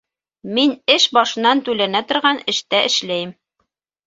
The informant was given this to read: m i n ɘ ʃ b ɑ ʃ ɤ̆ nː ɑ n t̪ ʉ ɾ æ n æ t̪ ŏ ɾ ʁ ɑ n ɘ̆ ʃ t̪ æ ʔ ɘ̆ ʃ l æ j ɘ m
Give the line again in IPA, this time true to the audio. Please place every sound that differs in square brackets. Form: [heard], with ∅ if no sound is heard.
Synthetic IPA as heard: m i n ɘ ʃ b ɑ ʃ ɤ̆ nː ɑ n t̪ ʉ [l] æ n æ t̪ ŏ ɾ ʁ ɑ n ɘ̆ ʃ t̪ æ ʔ ɘ̆ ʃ l æ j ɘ m